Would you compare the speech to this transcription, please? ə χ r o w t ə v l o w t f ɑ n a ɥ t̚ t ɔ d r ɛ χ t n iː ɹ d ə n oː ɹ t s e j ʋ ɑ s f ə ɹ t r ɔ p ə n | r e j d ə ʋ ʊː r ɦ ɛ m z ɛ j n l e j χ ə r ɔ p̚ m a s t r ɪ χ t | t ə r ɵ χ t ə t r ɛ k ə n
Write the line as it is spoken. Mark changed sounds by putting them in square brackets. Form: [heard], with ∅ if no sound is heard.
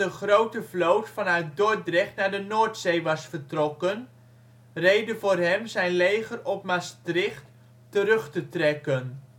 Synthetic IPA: ə χ r o w t ə v l o w t f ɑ n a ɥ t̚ [d] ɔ d r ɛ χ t n [aː] ɹ d ə n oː ɹ t s e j ʋ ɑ s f ə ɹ t r ɔ [k] ə n | r e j d ə [v] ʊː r ɦ ɛ m z ɛ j n l e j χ ə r ɔ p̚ m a s t r ɪ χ t | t ə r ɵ χ t ə t r ɛ k ə n

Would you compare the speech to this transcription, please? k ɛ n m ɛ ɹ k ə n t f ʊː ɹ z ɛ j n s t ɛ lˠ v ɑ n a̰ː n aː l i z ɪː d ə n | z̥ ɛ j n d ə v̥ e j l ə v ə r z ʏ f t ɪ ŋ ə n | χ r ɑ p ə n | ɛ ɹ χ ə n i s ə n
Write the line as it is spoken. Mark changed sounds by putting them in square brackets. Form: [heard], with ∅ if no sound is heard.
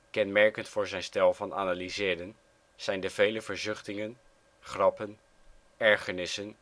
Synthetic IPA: k ɛ n m ɛ ɹ k ə n t f ʊː ɹ z ɛ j n s t ɛ lˠ v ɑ n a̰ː n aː l i z ɪː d ə n | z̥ ɛ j n d ə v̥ e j l ə v ə [ɹ] z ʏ [χ] t ɪ ŋ ə n | χ r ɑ p ə n | ɛ ɹ χ ə n [ɪ] s ə n

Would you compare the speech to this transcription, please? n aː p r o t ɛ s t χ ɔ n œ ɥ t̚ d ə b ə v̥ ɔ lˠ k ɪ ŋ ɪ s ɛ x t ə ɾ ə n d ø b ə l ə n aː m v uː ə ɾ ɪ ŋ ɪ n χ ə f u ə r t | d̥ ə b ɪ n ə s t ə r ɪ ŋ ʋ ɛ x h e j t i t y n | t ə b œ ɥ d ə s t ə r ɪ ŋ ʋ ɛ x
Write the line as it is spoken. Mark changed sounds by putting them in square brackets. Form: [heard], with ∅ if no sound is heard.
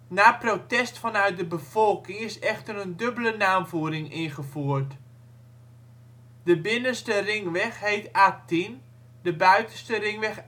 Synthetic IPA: n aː p r o t ɛ s t [f] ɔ n œ ɥ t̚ d ə b ə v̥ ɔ lˠ k ɪ ŋ ɪ s ɛ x t ə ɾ ə n d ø b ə l ə n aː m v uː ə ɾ ɪ ŋ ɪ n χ ə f u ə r t | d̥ ə b ɪ n ə s t ə r ɪ ŋ ʋ ɛ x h e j t [a] t [i] n | [d] ə b œ ɥ [t] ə s t ə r ɪ ŋ ʋ ɛ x

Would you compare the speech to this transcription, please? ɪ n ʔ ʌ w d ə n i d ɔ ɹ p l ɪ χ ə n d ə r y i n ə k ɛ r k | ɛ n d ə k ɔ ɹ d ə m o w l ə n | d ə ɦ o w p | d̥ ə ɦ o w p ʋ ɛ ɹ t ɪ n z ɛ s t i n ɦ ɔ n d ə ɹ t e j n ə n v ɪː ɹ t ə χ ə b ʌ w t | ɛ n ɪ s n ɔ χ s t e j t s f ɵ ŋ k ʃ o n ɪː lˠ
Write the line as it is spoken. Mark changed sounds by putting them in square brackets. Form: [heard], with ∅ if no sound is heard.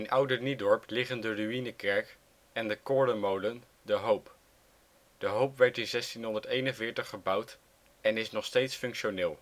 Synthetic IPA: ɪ n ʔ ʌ w d ə n i d ɔ ɹ p l ɪ χ ə n d ə r y i n ə k ɛ [ɹ] k | ɛ n d ə k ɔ ɹ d ə m o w l ə n | d ə ɦ o w p | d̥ ə ɦ o w p ʋ ɛ ɹ t ɪ n z ɛ s t i n ɦ ɔ n d ə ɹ t e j n ə n v ɪː ɹ t ə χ ə b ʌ w t | ɛ n ɪ s n ɔ χ s t e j t s f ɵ ŋ k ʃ o n ɪː lˠ

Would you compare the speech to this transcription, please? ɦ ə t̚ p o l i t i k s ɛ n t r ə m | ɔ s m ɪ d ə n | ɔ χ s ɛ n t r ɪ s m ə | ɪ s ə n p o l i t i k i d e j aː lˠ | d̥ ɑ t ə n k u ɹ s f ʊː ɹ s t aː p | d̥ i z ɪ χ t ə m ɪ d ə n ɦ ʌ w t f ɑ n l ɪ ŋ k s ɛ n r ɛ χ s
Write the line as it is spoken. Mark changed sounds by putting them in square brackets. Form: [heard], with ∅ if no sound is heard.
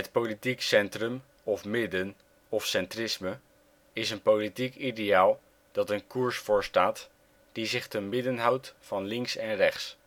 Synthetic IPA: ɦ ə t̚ p o l i t i k s ɛ n t r ə m | ɔ [f] m ɪ d ə n | ɔ [f] s ɛ n t r ɪ s m ə | ɪ s ə n p o l i t i k i d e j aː lˠ | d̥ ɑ t ə n k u ɹ s f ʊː ɹ s t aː [t] | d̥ i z ɪ χ t ə m ɪ d ə n ɦ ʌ w t f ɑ n l ɪ ŋ k s ɛ n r ɛ χ s

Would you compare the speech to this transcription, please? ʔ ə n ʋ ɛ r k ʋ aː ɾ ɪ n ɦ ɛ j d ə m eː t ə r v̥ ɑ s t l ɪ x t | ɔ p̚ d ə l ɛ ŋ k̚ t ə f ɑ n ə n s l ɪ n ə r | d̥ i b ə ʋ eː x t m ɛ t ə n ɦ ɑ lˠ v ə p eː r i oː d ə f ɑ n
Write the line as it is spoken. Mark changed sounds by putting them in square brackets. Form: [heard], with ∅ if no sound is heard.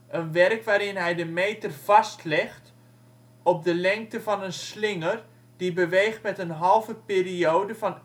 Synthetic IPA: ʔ ə n ʋ ɛ r k ʋ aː ɾ ɪ n ɦ ɛ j d ə m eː t ə r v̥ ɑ s t l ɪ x t | ɔ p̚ d ə l ɛ ŋ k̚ t ə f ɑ n ə n s l ɪ [ŋ] ə r | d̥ i b ə ʋ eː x t m ɛ t ə n ɦ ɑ lˠ v ə p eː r i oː d ə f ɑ n

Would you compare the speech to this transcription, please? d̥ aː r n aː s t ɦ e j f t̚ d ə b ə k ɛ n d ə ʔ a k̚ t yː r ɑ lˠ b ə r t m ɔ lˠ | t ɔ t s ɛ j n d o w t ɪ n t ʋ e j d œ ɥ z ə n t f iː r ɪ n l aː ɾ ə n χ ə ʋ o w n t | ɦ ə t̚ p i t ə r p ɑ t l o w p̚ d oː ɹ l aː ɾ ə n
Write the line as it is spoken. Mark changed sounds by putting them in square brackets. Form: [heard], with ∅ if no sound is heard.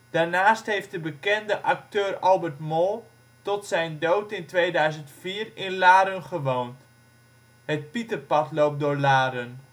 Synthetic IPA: d̥ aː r n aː s t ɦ e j f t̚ d ə b ə k ɛ n d ə ʔ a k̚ t [øː] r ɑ lˠ b ə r t m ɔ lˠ | t ɔ t s ɛ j n d o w t ɪ n t ʋ e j d œ ɥ z ə n t f iː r ɪ n l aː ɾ ə n χ ə ʋ o w n t | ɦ ə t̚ p i t ə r p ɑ t l o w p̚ d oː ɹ l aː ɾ ə n

